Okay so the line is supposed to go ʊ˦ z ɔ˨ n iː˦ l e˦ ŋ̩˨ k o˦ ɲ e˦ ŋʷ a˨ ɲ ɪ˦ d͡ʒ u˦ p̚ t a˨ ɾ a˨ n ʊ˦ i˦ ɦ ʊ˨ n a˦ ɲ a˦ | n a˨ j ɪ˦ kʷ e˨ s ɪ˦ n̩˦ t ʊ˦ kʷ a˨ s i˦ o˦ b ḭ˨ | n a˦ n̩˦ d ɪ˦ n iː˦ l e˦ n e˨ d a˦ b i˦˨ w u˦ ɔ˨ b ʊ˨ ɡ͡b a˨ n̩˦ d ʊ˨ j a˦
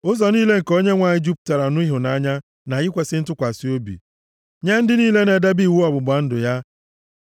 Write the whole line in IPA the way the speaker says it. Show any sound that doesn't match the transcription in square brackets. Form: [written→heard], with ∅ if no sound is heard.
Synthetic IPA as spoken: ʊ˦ z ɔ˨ n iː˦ l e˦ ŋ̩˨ k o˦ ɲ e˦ ŋʷ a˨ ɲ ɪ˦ d͡ʒ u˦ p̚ t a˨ ɾ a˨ n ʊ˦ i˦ ɦ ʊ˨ n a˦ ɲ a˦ | n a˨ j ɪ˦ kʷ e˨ s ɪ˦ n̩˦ t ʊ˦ kʷ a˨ s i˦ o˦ b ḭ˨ | [n→ɲ] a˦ n̩˦ d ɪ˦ n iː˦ l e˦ n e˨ d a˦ b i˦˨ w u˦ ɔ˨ b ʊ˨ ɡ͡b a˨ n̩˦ d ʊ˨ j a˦